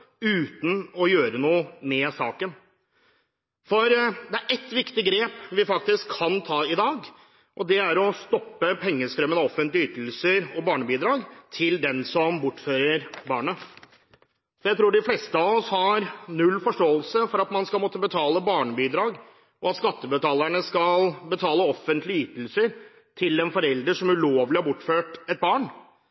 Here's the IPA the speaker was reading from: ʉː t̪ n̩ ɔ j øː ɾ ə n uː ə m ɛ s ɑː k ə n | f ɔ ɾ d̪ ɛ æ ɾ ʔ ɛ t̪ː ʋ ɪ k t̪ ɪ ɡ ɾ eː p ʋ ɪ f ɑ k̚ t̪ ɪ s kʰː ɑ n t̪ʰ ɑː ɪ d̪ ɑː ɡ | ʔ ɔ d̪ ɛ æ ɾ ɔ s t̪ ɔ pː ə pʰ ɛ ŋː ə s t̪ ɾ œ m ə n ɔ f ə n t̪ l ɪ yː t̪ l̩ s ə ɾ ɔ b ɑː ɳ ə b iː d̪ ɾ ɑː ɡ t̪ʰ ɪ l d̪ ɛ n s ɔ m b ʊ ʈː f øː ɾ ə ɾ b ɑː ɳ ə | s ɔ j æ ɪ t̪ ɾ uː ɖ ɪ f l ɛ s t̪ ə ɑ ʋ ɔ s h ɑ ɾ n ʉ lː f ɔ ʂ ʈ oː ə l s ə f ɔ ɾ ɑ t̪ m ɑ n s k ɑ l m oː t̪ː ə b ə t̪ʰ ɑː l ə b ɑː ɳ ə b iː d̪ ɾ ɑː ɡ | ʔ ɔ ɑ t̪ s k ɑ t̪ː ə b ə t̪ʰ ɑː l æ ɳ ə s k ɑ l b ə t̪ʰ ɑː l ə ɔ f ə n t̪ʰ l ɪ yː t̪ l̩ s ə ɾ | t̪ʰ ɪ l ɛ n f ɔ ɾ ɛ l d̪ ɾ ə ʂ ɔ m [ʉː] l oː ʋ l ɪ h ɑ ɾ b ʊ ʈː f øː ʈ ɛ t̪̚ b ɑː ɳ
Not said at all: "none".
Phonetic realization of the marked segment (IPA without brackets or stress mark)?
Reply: ʉ